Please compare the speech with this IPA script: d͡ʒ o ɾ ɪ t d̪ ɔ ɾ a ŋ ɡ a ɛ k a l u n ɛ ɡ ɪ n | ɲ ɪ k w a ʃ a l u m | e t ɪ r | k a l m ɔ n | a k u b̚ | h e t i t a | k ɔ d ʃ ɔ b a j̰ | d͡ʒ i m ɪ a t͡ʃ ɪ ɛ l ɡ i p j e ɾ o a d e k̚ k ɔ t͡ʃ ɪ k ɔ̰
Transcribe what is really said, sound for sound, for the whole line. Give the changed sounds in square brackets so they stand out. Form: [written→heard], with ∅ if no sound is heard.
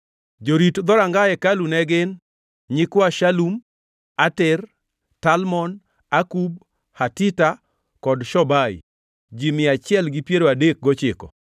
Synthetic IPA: d͡ʒ o ɾ [ɪ→i] t d̪ ɔ ɾ a ŋ ɡ a ɛ k a l u n ɛ ɡ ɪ n | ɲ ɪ k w a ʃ a l u m | [e→a] t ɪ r | [k→t] a l m ɔ n | a k u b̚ | h [e→a] t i t a | k ɔ d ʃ ɔ b a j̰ | d͡ʒ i m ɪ a t͡ʃ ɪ ɛ l ɡ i p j e ɾ o a d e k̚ [k→ɡ] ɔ t͡ʃ ɪ k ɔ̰